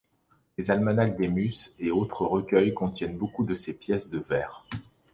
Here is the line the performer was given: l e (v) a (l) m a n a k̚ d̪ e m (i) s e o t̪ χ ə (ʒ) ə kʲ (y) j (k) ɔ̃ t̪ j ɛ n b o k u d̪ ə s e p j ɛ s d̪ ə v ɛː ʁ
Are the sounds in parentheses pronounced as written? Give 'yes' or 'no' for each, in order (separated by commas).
no, yes, no, no, no, yes